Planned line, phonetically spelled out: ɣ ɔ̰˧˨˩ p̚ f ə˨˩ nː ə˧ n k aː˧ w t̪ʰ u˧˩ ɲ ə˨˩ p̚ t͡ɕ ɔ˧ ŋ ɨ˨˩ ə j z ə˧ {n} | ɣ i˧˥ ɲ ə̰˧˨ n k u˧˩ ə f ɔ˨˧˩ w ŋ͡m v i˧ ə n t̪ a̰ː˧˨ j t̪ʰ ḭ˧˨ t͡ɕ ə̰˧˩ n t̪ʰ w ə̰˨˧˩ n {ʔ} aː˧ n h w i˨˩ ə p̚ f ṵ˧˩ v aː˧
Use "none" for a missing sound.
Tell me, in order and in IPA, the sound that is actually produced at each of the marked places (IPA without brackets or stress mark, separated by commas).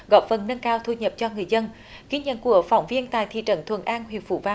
n, ʔ